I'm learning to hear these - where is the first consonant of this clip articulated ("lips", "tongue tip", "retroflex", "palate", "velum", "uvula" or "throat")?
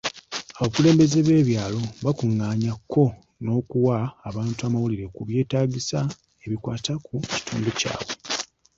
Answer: lips